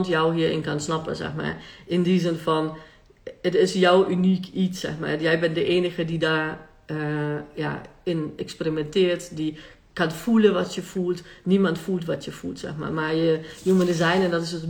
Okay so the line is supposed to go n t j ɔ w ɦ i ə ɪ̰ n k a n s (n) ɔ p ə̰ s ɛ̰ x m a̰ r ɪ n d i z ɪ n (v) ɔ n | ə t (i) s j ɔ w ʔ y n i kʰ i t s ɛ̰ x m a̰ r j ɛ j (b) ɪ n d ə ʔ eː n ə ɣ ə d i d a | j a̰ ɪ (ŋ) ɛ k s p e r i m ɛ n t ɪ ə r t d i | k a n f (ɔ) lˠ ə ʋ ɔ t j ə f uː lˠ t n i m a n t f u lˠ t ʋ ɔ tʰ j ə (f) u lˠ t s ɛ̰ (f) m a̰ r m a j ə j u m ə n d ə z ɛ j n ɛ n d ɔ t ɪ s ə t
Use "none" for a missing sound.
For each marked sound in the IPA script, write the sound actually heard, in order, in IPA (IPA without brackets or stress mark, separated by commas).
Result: n, f, ɪ, b, n, u, f, x